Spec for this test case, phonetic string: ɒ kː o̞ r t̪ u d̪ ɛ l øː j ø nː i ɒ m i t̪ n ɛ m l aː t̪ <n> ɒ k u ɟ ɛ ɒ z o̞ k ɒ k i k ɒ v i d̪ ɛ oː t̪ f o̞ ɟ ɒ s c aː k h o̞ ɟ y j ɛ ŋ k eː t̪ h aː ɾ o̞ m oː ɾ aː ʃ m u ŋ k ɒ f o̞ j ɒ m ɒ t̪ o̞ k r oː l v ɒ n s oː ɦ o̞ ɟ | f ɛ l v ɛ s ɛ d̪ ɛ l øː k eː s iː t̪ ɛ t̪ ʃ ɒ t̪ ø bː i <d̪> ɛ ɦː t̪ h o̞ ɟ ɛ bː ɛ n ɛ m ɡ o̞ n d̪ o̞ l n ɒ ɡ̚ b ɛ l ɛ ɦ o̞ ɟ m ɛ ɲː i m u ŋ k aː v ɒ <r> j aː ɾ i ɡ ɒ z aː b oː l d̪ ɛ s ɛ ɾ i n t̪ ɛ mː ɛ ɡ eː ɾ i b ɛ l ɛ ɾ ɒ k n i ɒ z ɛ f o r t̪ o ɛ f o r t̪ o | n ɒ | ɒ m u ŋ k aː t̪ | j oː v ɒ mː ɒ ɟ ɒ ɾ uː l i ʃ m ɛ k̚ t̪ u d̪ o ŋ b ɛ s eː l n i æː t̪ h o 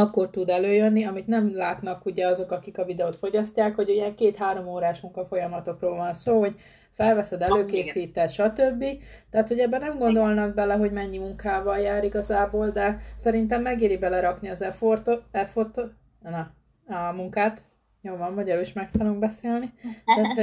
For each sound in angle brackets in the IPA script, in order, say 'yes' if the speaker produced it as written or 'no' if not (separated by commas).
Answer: yes, no, no